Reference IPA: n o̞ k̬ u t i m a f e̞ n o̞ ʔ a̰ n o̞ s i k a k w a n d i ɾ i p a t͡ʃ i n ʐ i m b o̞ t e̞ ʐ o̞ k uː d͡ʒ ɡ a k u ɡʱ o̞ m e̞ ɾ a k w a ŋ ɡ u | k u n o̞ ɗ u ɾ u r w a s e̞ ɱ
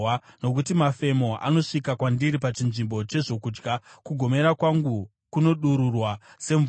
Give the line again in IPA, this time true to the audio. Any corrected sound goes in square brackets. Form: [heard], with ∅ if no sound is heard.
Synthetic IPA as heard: n o̞ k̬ u t i m a f e̞ [m] o̞ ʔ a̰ n o̞ [ʂ] i k a k w a n d i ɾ i p a t͡ʃ i n ʐ i m b o̞ [t͡ʃ] e̞ ʐ o̞ k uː d͡ʒ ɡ a k u ɡʱ o̞ m e̞ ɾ a k w a ŋ ɡ u | k u n o̞ ɗ u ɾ u r w a s e̞ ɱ